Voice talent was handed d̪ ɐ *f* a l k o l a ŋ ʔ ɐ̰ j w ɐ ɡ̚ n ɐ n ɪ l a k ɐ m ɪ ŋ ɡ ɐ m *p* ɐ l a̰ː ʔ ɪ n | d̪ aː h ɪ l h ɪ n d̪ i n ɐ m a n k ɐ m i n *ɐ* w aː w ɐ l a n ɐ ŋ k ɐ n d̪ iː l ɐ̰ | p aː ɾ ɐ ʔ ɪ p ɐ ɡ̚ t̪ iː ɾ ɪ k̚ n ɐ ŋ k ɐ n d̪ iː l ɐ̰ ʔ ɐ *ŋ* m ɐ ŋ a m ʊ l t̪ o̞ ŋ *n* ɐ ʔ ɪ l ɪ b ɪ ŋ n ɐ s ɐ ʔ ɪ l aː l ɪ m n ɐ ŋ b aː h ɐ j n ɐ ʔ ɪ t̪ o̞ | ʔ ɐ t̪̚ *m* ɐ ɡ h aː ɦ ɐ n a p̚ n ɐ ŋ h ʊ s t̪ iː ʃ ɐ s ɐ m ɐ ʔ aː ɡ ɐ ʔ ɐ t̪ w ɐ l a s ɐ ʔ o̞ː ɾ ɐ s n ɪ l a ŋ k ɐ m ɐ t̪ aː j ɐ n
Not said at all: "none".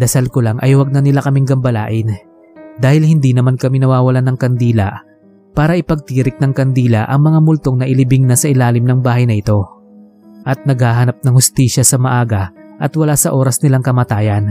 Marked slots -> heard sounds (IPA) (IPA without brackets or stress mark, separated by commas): s, b, ɐ, ŋ, n, n